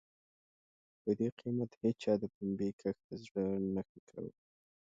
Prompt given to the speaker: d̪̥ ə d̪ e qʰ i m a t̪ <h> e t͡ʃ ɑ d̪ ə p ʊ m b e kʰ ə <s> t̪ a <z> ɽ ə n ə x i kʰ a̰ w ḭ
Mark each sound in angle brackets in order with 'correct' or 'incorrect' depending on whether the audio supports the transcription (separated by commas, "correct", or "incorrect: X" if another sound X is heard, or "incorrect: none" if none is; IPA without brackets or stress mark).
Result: correct, incorrect: x, correct